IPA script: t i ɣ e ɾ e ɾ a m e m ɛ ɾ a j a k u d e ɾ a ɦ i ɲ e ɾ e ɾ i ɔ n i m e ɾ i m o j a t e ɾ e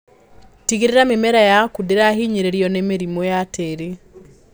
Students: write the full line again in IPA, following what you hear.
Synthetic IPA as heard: t i ɣ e ɾ e ɾ a m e m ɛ ɾ a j a k u d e ɾ a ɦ i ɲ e ɾ e ɾ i ɔ n e m e ɾ i m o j a t e ɾ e